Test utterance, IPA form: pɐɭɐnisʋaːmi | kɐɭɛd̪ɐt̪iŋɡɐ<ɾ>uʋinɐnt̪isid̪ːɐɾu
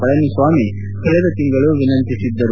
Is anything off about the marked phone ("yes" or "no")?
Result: yes